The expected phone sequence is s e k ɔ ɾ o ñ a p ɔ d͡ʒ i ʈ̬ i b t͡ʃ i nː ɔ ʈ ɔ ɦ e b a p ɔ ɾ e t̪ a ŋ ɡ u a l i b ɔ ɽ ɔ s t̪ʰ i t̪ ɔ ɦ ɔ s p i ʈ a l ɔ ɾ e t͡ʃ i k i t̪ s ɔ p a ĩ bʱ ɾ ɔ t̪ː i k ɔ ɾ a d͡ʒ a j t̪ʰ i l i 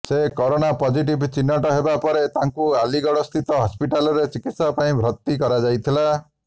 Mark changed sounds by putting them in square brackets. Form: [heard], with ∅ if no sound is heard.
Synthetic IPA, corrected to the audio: s e k ɔ ɾ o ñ a p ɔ d͡ʒ i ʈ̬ i b t͡ʃ i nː ɔ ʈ ɔ ɦ e b a p ɔ ɾ e t̪ a ŋ [k] u a l i [ɡ] ɔ ɽ ɔ s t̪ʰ i t̪ ɔ ɦ ɔ s p i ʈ a l ɔ ɾ e t͡ʃ i k i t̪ s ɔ p a ĩ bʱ ɾ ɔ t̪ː i k ɔ ɾ a d͡ʒ a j t̪ʰ i l [a]